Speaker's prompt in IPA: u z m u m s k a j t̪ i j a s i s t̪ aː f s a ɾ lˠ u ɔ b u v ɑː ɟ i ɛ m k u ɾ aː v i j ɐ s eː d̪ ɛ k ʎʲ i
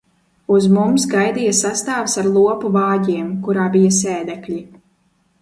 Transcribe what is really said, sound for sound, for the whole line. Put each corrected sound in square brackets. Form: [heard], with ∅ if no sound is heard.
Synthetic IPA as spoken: u z m u m s [ɡ] a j [d̪] i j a s [a] s t̪ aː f s a ɾ lˠ u ɔ [p] u v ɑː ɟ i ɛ m k u ɾ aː [b] i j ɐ s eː d̪ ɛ k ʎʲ i